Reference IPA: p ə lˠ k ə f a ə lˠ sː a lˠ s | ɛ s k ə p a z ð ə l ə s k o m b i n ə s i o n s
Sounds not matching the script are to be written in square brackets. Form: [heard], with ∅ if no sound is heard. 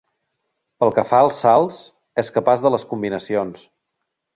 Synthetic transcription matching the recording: p ə lˠ k ə f a ə lˠ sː a lˠ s | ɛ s k ə p a z ð ə l ə s k [u] m b i n ə s i o n s